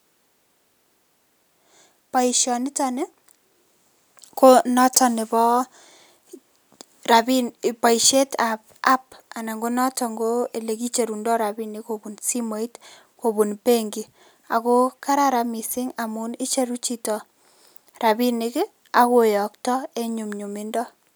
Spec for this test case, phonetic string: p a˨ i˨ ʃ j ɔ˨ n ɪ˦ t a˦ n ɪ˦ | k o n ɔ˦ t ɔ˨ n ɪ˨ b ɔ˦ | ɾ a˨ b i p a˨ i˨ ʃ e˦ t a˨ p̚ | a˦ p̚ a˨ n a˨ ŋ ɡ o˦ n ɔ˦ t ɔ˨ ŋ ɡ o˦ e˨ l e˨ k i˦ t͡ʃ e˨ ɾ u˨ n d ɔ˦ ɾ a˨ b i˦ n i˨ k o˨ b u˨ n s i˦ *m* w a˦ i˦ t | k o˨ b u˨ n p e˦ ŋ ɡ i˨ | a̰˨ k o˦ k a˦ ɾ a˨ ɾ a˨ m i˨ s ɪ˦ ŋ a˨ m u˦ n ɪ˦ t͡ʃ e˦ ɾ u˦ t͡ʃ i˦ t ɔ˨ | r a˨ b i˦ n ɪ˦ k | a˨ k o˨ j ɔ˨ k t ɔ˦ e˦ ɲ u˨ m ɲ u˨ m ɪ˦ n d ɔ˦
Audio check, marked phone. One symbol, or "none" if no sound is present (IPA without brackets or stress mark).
m